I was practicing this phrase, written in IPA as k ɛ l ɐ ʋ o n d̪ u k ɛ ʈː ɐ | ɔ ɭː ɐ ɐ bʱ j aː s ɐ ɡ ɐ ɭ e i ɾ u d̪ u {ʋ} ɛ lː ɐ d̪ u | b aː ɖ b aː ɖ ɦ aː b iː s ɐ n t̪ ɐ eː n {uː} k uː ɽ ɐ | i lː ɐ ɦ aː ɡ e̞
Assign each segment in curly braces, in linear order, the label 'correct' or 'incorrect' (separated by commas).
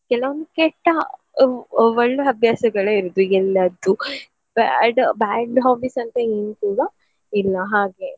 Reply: incorrect, incorrect